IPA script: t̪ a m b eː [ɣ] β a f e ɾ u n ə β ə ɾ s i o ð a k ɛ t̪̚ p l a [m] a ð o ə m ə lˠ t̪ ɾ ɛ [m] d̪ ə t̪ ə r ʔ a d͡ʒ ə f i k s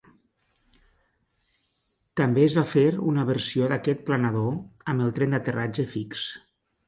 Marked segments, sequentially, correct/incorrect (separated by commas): incorrect, incorrect, incorrect